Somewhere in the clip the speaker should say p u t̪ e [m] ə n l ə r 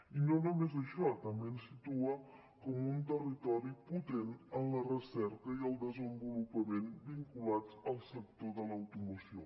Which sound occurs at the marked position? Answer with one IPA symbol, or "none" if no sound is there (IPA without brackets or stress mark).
n